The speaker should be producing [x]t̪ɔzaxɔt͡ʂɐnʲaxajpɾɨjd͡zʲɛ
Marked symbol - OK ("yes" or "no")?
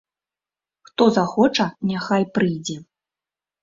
yes